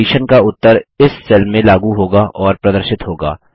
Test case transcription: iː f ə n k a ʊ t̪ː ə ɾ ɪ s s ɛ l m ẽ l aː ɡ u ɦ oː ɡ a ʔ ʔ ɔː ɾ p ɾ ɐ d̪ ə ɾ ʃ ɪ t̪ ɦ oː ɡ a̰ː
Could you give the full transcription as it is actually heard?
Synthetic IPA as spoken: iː ʃ ə n k a ʊ t̪ː ə ɾ ɪ s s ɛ l m ẽ l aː ɡ u ɦ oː ɡ a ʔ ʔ ɔː ɾ p ɾ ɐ d̪ ə ɾ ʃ ɪ t̪ ɦ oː ɡ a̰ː